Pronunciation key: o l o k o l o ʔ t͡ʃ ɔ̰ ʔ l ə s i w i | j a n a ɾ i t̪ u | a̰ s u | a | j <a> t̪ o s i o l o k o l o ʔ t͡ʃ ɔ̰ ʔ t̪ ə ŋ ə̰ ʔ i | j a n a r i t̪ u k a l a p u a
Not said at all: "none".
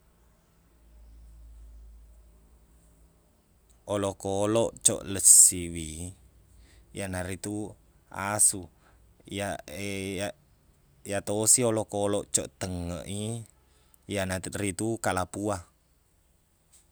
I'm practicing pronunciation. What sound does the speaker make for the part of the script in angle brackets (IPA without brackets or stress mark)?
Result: a